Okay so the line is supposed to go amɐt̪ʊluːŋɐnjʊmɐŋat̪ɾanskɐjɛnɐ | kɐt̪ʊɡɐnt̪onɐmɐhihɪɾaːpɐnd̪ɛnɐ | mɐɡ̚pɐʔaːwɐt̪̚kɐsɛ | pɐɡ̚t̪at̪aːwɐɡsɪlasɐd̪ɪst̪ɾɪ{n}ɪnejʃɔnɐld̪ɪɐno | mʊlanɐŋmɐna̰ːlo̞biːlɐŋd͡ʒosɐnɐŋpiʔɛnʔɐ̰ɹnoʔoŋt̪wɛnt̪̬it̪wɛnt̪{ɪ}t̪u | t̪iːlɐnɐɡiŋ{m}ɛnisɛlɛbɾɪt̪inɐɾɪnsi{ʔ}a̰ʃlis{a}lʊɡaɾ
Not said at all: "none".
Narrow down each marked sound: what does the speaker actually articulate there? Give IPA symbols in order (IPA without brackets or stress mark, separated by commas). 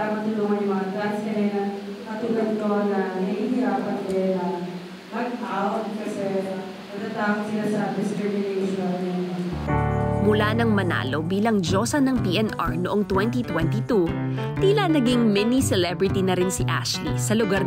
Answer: m, i, m, ʔ, ɐ